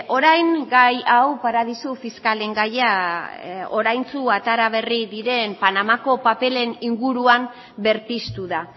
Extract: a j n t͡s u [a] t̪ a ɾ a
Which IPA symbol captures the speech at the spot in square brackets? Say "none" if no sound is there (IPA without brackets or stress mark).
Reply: a